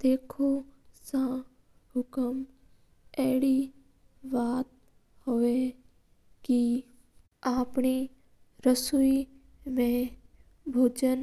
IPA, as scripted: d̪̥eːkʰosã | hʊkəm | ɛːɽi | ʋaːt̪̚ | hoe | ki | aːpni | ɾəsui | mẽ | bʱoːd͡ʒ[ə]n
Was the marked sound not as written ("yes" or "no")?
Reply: no